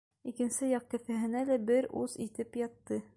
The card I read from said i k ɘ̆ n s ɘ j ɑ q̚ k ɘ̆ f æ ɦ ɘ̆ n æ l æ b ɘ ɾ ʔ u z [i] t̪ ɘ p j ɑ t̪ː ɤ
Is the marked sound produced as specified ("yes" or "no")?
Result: yes